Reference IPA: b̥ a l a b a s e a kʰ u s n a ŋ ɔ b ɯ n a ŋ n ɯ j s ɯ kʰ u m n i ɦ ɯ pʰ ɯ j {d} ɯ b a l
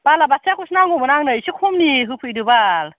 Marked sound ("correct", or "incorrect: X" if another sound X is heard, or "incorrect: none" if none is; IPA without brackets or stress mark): correct